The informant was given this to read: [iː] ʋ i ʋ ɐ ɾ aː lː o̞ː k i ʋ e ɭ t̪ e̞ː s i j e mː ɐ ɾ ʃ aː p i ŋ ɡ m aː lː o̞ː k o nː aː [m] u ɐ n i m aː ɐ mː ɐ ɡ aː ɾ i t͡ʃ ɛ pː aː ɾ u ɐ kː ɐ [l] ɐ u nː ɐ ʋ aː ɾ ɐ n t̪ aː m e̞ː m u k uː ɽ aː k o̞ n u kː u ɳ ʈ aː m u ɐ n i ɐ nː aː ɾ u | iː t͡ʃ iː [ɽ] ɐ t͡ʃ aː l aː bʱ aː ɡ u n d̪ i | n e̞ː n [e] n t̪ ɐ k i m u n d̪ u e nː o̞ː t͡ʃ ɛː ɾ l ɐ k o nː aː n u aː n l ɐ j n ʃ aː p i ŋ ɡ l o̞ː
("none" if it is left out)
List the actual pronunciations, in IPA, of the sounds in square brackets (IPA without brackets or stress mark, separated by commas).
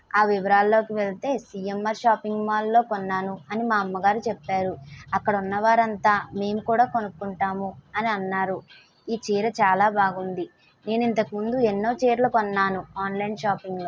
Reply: aː, n, ɽ, ɾ, i